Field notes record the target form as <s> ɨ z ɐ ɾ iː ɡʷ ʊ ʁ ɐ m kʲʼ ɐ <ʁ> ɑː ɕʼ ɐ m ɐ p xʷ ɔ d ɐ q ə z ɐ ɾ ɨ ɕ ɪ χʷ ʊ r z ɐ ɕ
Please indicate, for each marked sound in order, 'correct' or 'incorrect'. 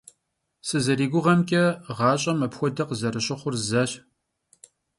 correct, correct

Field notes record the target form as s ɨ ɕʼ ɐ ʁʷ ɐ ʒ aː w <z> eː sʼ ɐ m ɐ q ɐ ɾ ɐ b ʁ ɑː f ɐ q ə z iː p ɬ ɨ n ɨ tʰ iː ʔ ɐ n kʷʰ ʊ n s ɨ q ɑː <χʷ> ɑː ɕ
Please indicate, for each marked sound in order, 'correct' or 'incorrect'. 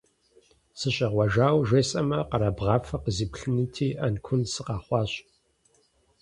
incorrect: ʒ, correct

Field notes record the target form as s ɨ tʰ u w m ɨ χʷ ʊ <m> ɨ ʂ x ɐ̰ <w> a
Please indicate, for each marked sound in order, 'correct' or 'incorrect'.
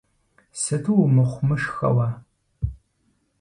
correct, correct

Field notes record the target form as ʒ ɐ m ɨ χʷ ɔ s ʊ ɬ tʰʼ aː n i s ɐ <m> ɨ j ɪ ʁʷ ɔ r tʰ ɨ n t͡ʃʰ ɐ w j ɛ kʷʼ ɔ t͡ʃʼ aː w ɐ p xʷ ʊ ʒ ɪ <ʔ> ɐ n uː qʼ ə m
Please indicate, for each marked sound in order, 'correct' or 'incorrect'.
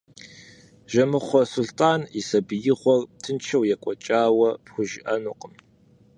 incorrect: b, correct

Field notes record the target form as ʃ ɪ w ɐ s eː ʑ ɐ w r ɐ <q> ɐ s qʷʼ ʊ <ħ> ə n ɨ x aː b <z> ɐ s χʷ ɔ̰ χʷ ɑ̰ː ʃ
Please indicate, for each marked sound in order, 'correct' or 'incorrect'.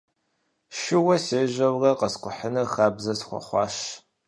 correct, correct, correct

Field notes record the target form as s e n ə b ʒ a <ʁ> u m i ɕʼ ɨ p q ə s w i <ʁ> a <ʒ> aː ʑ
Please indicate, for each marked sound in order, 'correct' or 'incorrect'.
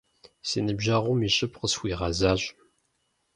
correct, correct, incorrect: z

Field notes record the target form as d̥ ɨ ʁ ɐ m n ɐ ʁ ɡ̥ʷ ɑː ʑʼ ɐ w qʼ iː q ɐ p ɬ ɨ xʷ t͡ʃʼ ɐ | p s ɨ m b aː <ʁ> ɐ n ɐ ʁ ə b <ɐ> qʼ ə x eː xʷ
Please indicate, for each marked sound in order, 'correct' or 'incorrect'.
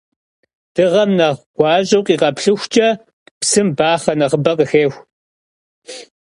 incorrect: χ, correct

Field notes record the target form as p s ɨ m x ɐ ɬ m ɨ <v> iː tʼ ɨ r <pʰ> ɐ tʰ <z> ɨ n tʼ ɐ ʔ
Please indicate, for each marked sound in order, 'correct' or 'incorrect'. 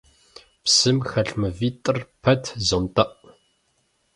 correct, correct, correct

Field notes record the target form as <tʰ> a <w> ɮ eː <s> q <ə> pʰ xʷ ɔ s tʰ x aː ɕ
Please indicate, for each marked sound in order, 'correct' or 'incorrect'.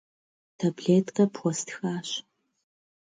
correct, incorrect: b, incorrect: t, incorrect: ɐ

